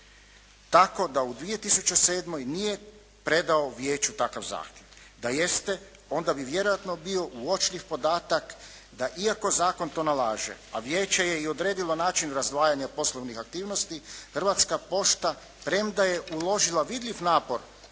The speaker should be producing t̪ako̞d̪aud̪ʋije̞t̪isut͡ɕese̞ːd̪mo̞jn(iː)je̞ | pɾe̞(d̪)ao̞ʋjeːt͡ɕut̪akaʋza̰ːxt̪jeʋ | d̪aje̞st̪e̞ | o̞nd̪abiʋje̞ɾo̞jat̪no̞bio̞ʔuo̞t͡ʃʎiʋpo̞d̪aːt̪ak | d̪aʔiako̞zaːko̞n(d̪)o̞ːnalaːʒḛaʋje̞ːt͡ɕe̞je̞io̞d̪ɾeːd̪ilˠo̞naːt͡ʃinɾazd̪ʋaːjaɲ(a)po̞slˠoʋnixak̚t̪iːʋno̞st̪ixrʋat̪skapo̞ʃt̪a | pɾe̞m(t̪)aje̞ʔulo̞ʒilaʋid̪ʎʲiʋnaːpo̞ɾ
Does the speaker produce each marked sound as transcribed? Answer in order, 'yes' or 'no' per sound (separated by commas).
no, yes, no, yes, no